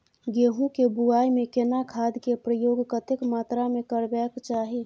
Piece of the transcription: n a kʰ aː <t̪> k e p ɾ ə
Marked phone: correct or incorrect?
incorrect